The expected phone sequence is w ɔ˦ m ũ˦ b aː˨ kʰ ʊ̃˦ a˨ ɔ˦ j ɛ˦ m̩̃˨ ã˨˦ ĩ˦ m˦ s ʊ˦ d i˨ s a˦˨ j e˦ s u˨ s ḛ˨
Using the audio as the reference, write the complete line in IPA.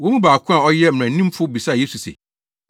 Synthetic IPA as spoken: w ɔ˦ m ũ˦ b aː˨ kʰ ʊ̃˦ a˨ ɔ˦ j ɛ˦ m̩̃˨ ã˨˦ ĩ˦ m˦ f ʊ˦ b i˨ s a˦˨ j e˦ s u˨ s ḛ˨